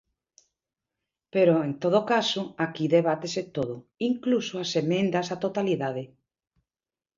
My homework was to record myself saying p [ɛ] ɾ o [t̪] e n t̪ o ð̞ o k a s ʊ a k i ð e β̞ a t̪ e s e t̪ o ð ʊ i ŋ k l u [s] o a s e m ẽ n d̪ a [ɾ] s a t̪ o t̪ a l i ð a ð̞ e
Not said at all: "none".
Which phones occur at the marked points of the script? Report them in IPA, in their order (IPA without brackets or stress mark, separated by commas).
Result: e, none, s, none